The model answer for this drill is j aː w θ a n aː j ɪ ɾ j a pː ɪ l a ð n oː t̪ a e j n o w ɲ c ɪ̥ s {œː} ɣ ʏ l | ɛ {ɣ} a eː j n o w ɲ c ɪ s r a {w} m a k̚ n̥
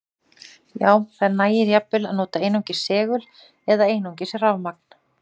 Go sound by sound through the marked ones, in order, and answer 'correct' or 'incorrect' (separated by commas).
incorrect, incorrect, incorrect